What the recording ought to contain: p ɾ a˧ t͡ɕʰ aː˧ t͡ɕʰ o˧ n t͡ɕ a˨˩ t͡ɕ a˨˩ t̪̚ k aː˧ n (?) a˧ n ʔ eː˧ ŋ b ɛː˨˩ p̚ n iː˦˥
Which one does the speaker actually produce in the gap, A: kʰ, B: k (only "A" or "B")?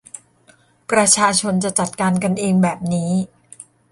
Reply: B